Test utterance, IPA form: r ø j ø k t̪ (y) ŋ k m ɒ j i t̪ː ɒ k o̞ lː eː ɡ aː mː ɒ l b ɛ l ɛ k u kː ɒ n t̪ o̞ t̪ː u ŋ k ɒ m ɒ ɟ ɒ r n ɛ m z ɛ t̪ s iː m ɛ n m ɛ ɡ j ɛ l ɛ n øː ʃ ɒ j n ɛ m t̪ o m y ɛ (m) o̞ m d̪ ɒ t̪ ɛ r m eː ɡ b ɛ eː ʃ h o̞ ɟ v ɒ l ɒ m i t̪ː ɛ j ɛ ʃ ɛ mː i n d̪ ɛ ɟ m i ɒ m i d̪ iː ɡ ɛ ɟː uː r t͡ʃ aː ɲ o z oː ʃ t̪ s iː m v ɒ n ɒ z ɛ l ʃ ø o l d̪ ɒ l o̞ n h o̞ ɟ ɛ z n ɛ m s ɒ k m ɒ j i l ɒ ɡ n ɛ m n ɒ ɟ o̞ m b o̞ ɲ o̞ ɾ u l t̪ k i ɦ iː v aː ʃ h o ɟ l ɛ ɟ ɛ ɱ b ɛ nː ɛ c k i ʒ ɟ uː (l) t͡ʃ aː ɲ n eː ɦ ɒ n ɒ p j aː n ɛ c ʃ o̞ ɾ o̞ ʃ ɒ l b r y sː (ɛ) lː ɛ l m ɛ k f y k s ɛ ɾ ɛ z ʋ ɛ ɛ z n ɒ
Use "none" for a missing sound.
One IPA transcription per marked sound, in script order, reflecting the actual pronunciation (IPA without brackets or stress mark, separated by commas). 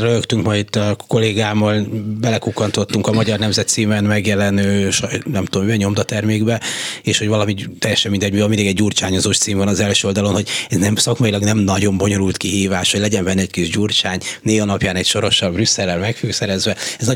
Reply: y, ɲ, r, ɛ